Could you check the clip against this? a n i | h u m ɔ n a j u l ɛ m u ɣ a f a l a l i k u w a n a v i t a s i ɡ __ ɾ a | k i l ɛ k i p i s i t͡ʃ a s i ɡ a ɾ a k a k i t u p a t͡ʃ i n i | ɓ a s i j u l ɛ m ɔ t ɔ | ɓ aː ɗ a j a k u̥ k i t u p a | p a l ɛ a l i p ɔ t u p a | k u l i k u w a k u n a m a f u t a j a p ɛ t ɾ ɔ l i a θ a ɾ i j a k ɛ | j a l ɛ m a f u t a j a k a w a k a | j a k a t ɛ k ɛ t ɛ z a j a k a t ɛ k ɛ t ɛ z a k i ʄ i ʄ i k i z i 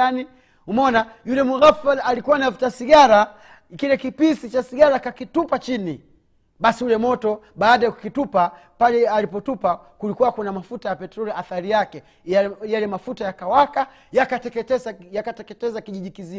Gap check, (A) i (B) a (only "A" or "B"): B